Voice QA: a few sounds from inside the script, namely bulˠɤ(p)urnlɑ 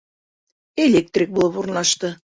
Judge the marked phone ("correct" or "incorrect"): correct